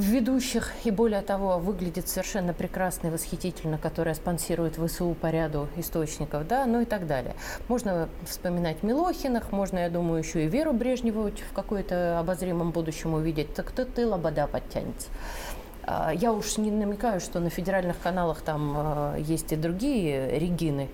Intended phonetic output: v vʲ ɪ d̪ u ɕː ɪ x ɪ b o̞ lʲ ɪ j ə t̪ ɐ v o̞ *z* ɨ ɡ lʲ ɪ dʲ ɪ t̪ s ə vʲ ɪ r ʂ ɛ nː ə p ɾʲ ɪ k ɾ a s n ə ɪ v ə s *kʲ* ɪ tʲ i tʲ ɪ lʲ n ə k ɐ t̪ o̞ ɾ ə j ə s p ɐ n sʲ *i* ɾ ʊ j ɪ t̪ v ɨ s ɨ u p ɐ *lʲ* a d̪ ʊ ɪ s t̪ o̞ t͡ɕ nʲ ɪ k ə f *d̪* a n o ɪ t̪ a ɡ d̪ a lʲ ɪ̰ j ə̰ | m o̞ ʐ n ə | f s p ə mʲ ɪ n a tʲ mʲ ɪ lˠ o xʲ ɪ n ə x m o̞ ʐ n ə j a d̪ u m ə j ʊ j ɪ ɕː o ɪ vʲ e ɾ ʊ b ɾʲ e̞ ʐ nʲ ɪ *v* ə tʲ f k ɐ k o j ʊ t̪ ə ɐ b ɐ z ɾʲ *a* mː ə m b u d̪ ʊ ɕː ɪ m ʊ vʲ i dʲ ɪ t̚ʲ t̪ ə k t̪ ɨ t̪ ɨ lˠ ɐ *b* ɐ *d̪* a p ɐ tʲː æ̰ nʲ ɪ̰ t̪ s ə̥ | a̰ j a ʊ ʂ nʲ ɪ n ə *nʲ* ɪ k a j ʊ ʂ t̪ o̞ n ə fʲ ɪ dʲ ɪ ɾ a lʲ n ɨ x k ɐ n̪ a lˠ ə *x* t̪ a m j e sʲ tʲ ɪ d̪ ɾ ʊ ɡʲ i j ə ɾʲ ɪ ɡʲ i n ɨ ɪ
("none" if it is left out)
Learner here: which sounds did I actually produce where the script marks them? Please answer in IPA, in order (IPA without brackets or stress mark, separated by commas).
v, xʲ, i, ɾʲ, d̪, v, i, b, d̪, mʲ, x